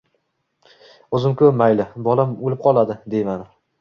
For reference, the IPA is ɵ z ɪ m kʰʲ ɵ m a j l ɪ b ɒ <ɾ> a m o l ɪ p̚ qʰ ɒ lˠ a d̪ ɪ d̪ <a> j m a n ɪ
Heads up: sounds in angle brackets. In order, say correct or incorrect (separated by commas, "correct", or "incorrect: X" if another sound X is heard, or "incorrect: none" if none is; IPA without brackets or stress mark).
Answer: incorrect: l, incorrect: e